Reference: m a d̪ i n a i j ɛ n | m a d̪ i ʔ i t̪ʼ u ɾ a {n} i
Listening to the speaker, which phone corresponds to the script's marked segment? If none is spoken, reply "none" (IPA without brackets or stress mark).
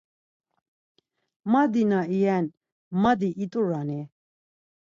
n